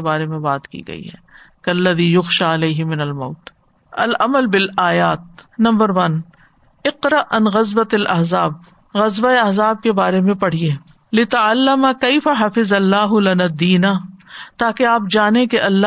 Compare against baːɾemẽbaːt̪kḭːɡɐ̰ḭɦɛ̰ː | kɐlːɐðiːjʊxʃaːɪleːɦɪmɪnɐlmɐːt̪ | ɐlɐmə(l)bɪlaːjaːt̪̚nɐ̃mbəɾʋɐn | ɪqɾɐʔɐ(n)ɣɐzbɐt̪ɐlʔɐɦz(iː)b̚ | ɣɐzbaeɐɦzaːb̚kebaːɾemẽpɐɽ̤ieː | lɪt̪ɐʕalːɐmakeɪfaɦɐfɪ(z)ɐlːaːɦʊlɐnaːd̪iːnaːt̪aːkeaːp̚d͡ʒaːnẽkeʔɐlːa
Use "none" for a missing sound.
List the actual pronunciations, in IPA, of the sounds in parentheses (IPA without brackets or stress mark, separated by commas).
l, n, aː, z